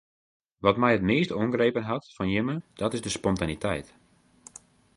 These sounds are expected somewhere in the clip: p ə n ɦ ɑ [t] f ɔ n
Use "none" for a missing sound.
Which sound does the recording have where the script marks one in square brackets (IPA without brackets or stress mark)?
t